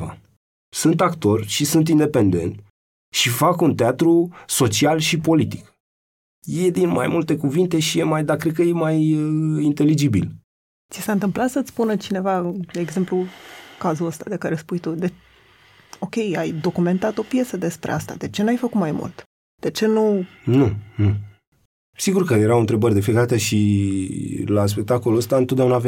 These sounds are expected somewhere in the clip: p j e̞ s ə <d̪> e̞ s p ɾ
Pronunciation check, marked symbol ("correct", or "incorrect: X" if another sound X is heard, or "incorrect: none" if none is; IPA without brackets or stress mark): correct